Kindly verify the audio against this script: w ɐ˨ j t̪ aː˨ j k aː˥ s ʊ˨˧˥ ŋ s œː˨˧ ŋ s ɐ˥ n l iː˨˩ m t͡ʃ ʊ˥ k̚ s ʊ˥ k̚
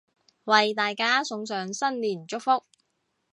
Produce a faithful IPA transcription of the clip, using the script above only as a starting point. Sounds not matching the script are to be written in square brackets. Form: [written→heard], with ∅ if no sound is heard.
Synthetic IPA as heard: w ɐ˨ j t̪ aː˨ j k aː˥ s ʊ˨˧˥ ŋ s œː˨˧ ŋ s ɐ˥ n l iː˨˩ [m→n] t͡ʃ ʊ˥ k̚ [s→f] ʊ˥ k̚

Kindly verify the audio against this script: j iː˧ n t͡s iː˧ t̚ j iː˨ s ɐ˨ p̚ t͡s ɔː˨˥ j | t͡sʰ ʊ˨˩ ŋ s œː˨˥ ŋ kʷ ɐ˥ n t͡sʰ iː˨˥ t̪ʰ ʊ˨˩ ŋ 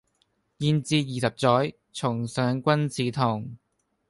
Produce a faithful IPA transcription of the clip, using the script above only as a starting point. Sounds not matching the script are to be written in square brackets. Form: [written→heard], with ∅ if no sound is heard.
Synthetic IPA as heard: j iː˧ n t͡s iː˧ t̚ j iː˨ s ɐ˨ p̚ t͡s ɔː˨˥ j | t͡sʰ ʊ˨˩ ŋ s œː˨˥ ŋ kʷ ɐ˥ n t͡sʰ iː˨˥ t̪ʰ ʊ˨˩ ŋ

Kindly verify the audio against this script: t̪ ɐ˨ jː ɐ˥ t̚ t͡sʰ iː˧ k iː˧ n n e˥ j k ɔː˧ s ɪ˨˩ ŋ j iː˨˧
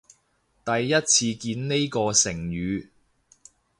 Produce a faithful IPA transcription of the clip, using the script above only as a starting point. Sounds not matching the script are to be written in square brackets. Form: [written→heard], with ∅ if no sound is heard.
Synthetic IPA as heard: t̪ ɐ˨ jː ɐ˥ t̚ t͡sʰ iː˧ k iː˧ n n e˥ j k ɔː˧ s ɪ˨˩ ŋ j [iː˨˧→yː˨˧]

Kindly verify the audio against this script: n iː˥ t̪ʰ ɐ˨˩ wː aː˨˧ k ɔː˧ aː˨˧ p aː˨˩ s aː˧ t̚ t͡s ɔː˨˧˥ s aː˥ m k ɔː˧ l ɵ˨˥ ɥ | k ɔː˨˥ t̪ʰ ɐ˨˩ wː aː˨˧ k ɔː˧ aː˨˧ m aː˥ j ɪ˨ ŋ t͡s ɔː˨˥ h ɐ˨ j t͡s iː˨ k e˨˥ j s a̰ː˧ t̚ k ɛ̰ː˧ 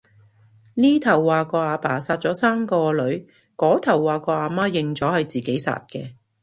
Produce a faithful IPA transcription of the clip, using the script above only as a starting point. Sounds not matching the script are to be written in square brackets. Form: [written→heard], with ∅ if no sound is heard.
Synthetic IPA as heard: n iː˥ t̪ʰ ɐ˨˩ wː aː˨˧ k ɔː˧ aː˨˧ p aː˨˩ s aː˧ t̚ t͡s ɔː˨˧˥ s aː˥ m k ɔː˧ l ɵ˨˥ ɥ | k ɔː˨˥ t̪ʰ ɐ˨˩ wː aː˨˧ k ɔː˧ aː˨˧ m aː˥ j ɪ˨ ŋ t͡s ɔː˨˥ h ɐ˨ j t͡s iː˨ k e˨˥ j s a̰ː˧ t̚ k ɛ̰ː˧

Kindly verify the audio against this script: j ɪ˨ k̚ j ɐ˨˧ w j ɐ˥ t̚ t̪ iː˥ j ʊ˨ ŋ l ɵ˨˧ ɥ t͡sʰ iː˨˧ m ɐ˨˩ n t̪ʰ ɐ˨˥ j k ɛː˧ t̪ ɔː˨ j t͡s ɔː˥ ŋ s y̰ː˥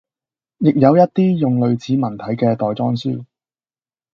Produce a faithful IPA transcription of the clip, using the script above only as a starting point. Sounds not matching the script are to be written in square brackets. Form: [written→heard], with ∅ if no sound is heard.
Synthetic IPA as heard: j ɪ˨ k̚ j ɐ˨˧ w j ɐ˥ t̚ t̪ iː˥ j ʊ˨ ŋ l ɵ˨˧ ɥ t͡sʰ iː˨˧ m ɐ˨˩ n t̪ʰ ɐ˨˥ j k ɛː˧ t̪ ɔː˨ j t͡s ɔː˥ ŋ s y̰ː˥

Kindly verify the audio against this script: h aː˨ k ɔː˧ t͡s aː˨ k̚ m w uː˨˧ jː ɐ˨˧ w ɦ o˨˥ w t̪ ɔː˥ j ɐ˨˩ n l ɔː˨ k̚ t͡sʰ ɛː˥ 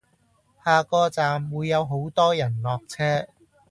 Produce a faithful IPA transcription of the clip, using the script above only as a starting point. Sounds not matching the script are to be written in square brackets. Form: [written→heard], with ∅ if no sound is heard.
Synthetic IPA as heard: h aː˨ k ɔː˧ t͡s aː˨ [k̚→∅] m w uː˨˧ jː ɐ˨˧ w ɦ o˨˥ w t̪ ɔː˥ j ɐ˨˩ n l ɔː˨ k̚ t͡sʰ ɛː˥

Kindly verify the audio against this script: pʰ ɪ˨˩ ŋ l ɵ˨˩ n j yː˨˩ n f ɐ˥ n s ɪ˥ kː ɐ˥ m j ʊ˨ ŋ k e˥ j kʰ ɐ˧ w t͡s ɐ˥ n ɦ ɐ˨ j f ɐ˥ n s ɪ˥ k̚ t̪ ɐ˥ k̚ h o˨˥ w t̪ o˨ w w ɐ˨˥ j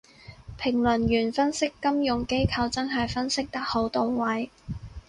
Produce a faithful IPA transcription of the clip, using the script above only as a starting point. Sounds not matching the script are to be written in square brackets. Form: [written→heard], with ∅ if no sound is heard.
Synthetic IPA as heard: pʰ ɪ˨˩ ŋ l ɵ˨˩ n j yː˨˩ n f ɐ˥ n s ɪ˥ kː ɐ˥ m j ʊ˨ ŋ k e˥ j kʰ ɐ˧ w t͡s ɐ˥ n ɦ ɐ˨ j f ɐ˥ n s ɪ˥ k̚ t̪ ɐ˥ k̚ h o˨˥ w t̪ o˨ w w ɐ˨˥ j

